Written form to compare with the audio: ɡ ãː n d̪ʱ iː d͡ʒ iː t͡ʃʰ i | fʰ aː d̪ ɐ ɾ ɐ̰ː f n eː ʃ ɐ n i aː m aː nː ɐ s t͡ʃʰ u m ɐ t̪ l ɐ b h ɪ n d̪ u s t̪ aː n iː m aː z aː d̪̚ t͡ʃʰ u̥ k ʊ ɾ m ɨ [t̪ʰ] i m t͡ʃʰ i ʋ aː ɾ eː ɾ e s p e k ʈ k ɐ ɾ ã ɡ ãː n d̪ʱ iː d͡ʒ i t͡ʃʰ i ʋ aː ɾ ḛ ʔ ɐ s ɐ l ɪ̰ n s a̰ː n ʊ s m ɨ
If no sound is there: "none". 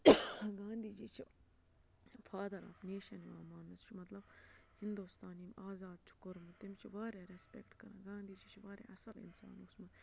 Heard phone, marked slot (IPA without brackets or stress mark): t̪